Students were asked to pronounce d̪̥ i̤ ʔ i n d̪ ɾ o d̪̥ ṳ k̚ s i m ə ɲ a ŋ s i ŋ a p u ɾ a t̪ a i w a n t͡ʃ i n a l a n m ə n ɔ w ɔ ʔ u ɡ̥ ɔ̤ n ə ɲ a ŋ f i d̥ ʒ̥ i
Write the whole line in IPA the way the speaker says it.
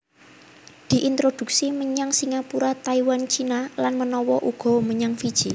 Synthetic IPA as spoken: d̪̥ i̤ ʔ i n t̪ ɾ o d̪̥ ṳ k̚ s i m ə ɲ a ŋ s i ŋ a p u ɾ a t̪ a i w a n t͡ʃ i n a l a n m ə n ɔ w ɔ ʔ u ɡ̥ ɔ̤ m ə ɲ a ŋ f i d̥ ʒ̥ i